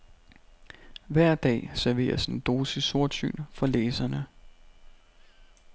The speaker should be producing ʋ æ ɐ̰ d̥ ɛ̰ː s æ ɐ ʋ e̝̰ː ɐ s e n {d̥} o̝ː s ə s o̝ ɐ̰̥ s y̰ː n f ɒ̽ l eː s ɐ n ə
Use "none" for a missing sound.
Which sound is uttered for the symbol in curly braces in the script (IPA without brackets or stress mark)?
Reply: d̥